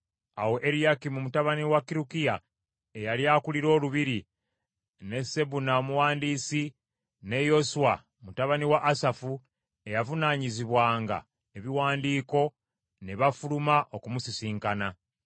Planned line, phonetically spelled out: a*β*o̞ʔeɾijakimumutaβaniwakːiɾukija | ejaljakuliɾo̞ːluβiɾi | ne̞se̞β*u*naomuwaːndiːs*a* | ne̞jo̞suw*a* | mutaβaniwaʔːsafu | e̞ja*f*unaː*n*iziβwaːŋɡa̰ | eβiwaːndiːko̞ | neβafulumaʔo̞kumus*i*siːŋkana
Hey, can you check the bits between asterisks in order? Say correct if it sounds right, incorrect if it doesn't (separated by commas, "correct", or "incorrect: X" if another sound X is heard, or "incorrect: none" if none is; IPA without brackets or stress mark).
incorrect: w, correct, incorrect: i, correct, incorrect: v, incorrect: ɲ, correct